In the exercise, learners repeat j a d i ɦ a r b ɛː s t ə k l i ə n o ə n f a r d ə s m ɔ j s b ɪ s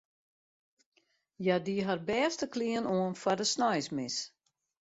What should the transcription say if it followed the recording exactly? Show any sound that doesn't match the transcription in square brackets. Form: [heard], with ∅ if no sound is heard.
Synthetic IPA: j a d i ɦ a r b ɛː s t ə k l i ə n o ə n f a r d ə s [n] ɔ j s [m] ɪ s